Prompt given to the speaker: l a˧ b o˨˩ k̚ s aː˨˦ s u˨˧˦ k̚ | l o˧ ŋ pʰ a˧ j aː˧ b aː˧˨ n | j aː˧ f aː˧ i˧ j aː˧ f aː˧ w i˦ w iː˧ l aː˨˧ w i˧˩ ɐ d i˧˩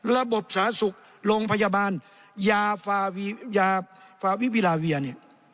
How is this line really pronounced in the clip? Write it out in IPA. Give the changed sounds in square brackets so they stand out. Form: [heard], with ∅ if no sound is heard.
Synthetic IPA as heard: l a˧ b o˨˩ [p̚] s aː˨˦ s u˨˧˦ k̚ | l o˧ ŋ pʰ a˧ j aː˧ b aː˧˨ n | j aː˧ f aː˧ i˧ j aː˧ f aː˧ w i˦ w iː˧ l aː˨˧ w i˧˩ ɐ [n] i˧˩